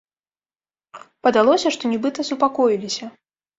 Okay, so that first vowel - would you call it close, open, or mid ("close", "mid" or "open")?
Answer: open